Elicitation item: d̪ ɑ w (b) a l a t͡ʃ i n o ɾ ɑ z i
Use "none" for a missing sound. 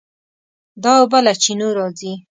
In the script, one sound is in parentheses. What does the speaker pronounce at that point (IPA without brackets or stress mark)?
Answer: b